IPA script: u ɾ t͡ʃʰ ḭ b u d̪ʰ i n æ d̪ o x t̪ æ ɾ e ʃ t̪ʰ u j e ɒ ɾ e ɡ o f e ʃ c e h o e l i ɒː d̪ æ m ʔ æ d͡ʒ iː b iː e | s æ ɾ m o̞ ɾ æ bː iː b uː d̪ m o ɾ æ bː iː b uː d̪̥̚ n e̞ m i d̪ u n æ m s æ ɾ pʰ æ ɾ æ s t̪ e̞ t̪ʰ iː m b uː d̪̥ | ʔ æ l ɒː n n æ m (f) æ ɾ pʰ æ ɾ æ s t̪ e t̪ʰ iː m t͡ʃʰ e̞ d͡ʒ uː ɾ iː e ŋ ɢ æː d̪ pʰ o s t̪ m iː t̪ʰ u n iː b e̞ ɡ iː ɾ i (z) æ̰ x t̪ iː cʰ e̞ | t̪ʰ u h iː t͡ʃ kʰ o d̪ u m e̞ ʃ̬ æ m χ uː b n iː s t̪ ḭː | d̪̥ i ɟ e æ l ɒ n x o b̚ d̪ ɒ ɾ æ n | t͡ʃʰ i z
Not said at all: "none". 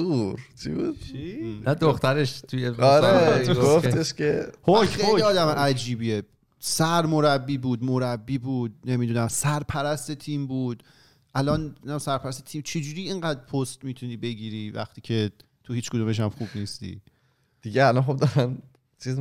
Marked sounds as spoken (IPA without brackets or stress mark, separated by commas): s, v